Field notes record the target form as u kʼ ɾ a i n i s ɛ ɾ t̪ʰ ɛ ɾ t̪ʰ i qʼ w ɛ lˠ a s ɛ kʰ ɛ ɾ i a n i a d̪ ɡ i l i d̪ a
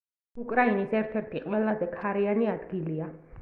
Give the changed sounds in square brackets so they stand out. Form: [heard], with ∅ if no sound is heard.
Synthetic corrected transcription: u kʼ ɾ a i n i s ɛ ɾ t̪ʰ ɛ ɾ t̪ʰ i qʼ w ɛ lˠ a [z] ɛ kʰ [a] ɾ i a n i a d̪ ɡ i l i [∅] a

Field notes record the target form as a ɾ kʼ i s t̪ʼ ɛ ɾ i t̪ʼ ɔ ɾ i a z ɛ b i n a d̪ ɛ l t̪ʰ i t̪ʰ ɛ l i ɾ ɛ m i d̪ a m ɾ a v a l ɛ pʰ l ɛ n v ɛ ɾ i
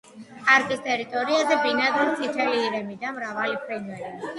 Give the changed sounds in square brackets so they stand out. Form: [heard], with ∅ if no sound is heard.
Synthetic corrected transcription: a ɾ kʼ i s t̪ʼ ɛ ɾ i t̪ʼ ɔ ɾ i a z ɛ b i n a d̪ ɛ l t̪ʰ i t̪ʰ ɛ l [iː] ɾ ɛ m i d̪ a m ɾ a v a l [i] pʰ [ɾ] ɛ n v ɛ ɾ i

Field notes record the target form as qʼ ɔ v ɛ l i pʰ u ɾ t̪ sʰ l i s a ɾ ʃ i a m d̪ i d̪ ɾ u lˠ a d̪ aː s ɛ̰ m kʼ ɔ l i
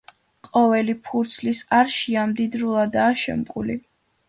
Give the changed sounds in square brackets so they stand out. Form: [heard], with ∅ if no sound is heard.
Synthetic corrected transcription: qʼ ɔ v ɛ l i pʰ u ɾ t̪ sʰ l i s a ɾ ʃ i a m d̪ i d̪ ɾ u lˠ a d̪ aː [ʃ] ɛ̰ m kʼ [u] l i

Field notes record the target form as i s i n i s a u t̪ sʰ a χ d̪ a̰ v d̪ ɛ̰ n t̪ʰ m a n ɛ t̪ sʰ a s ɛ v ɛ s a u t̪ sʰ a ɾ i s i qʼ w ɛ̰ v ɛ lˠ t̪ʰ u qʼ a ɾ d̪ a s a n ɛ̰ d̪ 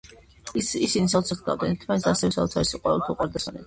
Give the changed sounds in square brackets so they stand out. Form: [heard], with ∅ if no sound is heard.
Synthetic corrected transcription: i s i n i s a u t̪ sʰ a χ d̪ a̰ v d̪ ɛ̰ n t̪ʰ m a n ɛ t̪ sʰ a s ɛ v ɛ s a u t̪ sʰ a ɾ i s i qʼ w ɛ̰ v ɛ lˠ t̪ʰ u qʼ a ɾ d̪ a s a n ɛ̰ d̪

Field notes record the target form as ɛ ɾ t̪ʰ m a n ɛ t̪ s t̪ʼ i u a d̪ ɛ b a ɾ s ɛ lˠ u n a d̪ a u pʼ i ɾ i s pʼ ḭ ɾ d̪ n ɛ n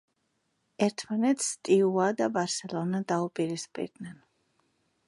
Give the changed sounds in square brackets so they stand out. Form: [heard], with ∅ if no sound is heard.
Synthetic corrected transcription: ɛ ɾ t̪ʰ m a n ɛ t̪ s t̪ʼ i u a d̪ [a] b a ɾ s ɛ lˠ [ɔ] n a d̪ a u pʼ i ɾ i s pʼ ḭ ɾ d̪ n ɛ n

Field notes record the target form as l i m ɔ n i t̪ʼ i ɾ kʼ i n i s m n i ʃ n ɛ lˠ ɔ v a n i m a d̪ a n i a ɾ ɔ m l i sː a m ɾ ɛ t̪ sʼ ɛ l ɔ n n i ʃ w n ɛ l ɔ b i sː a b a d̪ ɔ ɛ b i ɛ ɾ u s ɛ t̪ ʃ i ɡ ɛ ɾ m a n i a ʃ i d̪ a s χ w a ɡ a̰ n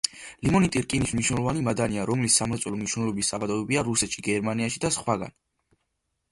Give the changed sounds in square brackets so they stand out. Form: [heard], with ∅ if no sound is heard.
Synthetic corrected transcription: l i m ɔ n i t̪ʼ i ɾ kʼ i n i s m n i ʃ n ɛ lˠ ɔ v a n i m a d̪ a n i a ɾ ɔ m l i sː a m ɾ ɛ t̪ sʼ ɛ l ɔ [m] n i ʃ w n ɛ l ɔ b i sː a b a d̪ ɔ ɛ b i [a] ɾ u s ɛ t̪ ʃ i ɡ ɛ ɾ m a n i a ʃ i d̪ a s χ w a ɡ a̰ n

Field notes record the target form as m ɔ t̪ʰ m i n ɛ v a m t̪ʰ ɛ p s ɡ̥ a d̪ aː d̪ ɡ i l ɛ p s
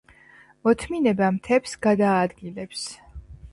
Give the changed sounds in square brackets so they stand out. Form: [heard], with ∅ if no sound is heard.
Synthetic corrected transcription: m ɔ t̪ʰ m i n ɛ [b] a m t̪ʰ ɛ p s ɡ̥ a d̪ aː d̪ ɡ i l ɛ p s

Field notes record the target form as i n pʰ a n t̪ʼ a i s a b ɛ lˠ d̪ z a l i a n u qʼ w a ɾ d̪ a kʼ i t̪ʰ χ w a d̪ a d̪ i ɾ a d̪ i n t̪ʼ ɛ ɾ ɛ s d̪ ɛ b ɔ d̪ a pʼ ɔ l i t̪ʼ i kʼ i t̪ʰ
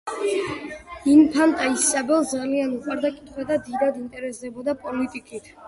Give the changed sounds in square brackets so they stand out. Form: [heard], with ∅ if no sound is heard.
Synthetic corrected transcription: i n pʰ a n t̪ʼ a i s a b ɛ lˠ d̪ z a l i a n u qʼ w a ɾ d̪ a kʼ i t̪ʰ χ w a d̪ a d̪ i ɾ a d̪ i n t̪ʼ ɛ ɾ ɛ s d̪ ɛ b ɔ d̪ a pʼ ɔ l i t̪ʼ i kʼ i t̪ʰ

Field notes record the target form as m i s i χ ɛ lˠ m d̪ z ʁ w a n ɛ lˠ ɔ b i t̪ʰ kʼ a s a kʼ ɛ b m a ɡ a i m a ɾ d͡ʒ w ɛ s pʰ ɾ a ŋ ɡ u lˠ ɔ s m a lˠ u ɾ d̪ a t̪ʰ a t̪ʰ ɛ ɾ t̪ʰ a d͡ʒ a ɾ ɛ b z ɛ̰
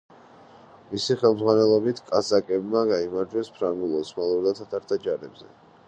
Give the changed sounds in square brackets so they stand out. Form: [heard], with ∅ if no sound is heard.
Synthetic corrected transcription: m i s i χ ɛ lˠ m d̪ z ʁ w a n ɛ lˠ ɔ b i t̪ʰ kʼ a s a kʼ ɛ b m a ɡ a i m a ɾ d͡ʒ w ɛ s pʰ ɾ a ŋ ɡ u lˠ ɔ s m a lˠ u ɾ d̪ a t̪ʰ a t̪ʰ [a] ɾ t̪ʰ a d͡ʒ a ɾ ɛ b z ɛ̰

